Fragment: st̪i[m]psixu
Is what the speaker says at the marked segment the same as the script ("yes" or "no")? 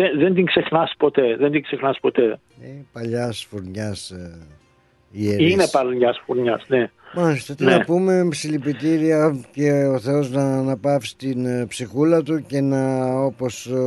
no